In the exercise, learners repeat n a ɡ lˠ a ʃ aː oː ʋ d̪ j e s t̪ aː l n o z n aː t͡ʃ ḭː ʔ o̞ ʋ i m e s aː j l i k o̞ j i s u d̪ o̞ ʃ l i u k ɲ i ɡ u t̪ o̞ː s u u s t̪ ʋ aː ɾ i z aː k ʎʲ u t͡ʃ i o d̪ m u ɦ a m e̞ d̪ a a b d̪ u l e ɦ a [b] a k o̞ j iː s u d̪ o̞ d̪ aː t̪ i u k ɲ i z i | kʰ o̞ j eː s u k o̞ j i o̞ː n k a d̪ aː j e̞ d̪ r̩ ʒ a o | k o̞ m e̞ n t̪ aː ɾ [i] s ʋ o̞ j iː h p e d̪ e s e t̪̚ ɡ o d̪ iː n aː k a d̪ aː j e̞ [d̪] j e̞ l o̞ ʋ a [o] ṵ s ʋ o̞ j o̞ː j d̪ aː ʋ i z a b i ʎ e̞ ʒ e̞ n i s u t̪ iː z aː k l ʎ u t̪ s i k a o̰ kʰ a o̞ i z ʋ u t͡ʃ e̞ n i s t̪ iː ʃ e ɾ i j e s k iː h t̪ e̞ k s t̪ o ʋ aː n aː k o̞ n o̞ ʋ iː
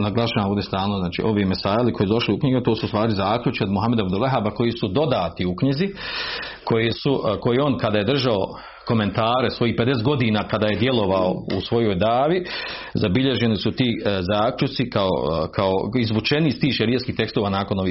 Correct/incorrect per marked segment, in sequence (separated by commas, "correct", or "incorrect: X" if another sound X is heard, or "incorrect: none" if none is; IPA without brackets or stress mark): correct, incorrect: e, correct, correct